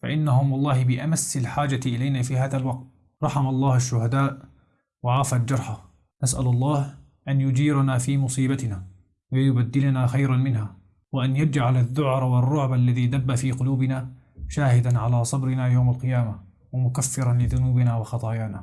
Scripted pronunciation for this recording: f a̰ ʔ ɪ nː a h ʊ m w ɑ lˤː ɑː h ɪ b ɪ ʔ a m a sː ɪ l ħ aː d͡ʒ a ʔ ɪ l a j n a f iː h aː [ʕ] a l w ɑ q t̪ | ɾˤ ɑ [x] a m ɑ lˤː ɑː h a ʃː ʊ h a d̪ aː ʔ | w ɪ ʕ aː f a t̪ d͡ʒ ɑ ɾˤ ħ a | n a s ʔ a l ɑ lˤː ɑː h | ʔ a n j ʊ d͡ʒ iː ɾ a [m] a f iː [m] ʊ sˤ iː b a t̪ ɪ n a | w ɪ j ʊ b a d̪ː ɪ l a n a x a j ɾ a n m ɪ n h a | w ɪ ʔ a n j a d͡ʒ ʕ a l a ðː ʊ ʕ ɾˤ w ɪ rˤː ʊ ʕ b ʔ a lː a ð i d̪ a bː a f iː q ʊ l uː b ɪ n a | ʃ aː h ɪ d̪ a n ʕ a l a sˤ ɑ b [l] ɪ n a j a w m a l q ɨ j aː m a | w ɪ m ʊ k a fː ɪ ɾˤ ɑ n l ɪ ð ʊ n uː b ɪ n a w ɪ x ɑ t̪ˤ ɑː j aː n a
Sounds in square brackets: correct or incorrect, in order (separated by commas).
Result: incorrect, incorrect, incorrect, correct, incorrect